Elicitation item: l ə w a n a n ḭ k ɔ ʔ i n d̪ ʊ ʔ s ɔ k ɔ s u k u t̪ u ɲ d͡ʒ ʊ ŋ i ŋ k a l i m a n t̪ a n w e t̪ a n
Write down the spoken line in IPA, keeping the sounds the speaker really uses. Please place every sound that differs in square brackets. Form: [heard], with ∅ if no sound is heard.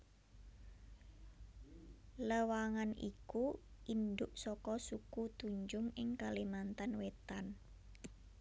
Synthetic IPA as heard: l ə w a [ŋ] a n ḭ k [u] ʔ i n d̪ ʊ ʔ s ɔ k ɔ s u k u t̪ u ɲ d͡ʒ ʊ ŋ [ɪ] ŋ k a l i m a n t̪ a n w e t̪ a n